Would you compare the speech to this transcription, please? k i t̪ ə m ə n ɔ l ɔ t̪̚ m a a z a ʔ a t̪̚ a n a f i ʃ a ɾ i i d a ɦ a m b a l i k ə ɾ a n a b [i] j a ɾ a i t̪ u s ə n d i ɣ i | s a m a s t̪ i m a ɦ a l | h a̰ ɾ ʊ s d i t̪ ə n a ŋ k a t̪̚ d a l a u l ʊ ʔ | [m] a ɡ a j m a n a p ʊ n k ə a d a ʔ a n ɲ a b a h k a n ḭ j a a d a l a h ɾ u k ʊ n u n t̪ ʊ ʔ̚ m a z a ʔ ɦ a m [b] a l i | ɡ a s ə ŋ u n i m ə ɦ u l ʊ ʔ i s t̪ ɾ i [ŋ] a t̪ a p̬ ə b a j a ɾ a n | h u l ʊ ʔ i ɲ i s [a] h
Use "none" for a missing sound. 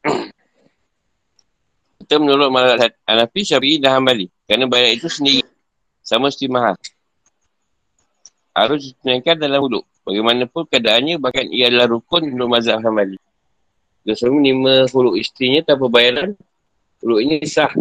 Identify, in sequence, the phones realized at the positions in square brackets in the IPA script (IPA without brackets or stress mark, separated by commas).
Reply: a, b, b, ɲ, a